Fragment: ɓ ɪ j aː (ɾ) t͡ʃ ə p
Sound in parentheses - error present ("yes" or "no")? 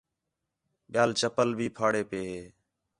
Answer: yes